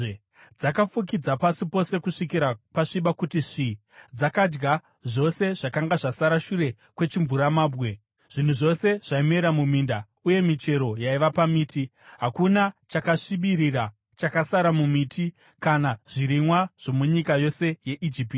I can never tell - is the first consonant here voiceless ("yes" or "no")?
no